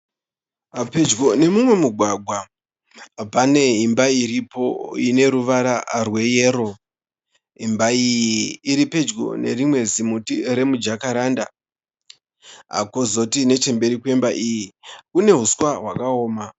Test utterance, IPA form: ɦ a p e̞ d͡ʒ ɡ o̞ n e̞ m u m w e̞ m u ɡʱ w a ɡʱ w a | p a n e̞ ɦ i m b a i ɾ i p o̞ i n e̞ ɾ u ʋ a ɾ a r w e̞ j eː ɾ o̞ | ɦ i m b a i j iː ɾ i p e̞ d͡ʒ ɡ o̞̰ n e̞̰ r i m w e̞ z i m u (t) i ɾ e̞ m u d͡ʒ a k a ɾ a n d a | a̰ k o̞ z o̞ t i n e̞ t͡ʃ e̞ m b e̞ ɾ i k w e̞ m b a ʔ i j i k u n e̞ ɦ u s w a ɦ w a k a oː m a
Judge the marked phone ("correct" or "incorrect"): correct